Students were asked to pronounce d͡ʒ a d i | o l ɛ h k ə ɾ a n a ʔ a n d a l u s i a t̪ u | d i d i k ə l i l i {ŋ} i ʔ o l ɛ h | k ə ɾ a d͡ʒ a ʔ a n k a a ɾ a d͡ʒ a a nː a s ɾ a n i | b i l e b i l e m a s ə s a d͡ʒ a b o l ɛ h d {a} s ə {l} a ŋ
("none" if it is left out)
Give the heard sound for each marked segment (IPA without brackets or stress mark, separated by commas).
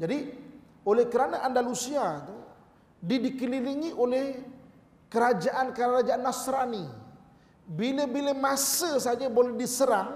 ŋ, i, ɾ